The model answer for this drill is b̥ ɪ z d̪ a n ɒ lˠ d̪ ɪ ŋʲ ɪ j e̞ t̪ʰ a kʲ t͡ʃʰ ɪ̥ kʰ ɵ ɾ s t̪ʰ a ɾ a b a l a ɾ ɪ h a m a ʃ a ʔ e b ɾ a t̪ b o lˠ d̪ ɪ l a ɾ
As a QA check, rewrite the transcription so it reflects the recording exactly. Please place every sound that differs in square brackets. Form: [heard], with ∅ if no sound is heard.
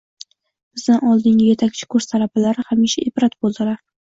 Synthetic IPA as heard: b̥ ɪ z d̪ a n ɒ lˠ d̪ ɪ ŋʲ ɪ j e̞ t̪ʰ a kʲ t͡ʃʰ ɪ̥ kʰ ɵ ɾ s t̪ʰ a [l] a b a l a ɾ ɪ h a m [i] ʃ a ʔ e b ɾ a t̪ b o lˠ d̪ ɪ l a ɾ